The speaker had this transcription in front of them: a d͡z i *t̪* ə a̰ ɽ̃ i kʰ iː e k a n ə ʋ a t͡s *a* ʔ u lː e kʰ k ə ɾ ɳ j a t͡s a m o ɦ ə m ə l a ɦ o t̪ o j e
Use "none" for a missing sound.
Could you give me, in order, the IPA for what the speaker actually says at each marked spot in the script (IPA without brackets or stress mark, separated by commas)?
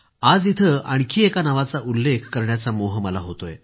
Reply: t̪ʰ, a